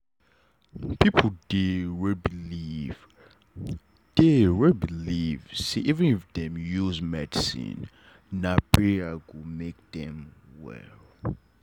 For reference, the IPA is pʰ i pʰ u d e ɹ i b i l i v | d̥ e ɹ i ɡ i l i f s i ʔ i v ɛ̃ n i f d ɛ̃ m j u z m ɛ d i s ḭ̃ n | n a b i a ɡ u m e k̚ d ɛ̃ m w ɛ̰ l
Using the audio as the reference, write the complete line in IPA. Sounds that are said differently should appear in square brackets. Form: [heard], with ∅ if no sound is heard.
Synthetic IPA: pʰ i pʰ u d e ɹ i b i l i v | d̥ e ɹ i [b] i l i [v] s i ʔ i v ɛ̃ n i f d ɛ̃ m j u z m ɛ d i s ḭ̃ n | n a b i a ɡ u m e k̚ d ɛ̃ m w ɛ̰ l